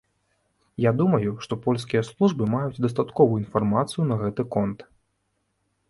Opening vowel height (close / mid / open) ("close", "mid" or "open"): open